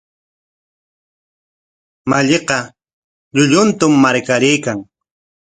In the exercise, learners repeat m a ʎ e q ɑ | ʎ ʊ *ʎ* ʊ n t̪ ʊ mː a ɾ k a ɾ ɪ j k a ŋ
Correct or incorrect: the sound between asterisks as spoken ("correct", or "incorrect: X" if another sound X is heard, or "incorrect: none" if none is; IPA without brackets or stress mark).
correct